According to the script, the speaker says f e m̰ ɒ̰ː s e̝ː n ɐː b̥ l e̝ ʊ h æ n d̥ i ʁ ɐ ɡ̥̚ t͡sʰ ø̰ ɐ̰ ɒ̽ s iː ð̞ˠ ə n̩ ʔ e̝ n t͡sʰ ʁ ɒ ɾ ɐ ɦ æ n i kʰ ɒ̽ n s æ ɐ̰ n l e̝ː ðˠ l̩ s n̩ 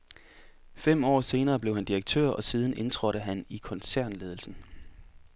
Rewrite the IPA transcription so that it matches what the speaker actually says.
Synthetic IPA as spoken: f e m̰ ɒ̰ː s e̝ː n ɐː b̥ l e̝ ʊ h æ n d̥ i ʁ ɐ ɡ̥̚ t͡sʰ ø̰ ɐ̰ ɒ̽ s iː ð̞ˠ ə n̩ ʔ e̝ n t͡sʰ ʁ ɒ ɾ ə ɦ æ n i kʰ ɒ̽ n s æ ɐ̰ n l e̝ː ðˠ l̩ s n̩